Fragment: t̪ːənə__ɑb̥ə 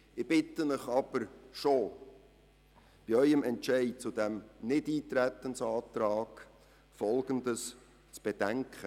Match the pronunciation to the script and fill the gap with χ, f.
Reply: χ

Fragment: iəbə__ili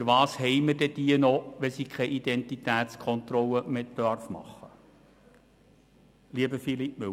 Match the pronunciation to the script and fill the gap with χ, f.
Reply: f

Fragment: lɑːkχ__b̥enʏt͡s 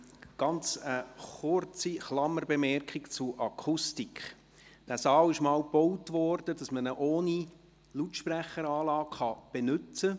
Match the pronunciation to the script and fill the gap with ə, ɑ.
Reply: ɑ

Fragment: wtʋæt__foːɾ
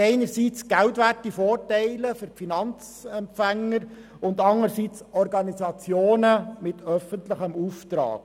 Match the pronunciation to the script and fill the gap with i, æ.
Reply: i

